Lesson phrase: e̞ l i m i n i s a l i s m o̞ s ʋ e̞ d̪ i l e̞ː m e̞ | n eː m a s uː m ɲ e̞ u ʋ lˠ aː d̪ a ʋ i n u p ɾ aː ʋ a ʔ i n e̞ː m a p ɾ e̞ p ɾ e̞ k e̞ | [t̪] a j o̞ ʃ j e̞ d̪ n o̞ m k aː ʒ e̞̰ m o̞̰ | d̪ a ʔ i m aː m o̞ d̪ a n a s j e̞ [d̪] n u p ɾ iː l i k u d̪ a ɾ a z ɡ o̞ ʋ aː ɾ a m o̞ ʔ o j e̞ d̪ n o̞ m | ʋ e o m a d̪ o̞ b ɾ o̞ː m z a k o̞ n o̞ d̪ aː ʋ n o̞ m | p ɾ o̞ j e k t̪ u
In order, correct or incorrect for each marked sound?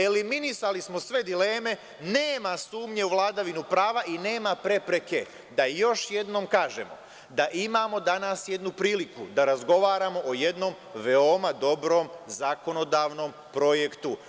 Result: incorrect: d̪, correct

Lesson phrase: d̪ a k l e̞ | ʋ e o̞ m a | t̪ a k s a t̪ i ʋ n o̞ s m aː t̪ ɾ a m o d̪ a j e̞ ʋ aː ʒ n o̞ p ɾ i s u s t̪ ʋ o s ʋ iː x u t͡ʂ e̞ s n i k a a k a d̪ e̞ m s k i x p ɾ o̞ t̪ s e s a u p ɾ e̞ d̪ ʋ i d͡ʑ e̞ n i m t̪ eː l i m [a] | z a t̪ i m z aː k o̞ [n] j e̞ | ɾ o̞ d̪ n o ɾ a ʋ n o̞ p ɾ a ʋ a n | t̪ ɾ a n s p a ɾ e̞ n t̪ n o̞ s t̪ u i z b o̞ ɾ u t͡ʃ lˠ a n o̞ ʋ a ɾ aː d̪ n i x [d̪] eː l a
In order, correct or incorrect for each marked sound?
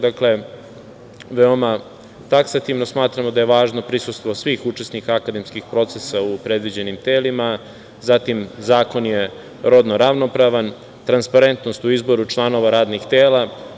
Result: correct, correct, incorrect: t̪

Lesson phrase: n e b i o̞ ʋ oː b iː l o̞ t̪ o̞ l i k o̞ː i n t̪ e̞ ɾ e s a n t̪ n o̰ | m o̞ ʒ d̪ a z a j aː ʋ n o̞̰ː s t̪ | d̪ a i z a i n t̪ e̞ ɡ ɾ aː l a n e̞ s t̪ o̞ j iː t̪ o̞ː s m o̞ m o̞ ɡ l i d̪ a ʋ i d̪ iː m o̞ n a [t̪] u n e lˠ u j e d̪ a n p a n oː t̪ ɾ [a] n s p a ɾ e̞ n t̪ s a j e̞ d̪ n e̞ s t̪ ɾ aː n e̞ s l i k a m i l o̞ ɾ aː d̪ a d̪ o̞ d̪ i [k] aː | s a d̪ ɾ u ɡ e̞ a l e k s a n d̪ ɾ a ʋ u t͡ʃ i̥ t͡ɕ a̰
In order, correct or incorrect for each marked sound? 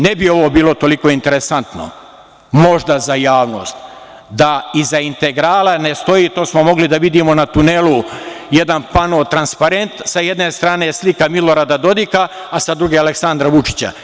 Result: correct, correct, correct

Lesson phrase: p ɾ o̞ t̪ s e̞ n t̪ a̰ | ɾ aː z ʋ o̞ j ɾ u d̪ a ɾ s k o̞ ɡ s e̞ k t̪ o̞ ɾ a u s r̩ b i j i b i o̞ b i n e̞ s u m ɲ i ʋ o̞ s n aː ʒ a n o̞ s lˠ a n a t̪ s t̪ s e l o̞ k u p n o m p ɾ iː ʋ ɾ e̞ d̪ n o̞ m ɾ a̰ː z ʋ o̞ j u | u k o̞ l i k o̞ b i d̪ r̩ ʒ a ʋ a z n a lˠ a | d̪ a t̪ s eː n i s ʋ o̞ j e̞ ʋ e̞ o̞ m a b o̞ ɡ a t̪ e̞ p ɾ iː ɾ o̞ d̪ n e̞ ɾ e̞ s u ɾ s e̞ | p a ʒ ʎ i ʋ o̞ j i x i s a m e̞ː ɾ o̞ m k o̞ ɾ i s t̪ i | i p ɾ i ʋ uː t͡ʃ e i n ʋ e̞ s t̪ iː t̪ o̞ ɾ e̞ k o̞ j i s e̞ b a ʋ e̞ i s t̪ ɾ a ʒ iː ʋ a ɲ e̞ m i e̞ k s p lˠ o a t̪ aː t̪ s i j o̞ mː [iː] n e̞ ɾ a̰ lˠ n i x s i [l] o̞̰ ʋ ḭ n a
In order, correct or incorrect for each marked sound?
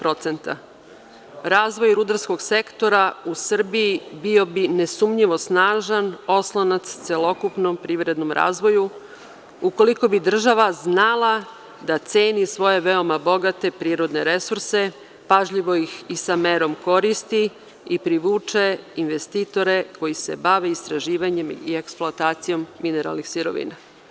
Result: incorrect: i, incorrect: ɾ

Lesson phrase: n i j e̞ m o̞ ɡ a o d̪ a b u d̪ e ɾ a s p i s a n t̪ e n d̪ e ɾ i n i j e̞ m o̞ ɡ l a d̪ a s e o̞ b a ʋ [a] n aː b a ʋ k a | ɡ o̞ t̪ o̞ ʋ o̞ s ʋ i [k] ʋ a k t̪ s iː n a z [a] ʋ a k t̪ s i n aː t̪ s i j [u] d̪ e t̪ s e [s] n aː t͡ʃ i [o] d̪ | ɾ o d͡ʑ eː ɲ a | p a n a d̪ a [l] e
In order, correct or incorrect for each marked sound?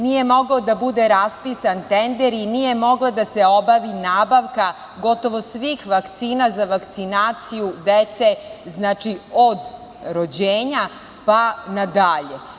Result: incorrect: i, incorrect: x, correct, correct, incorrect: z, correct, incorrect: ʎ

